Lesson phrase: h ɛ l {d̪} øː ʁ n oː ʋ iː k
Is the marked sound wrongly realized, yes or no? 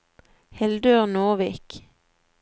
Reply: no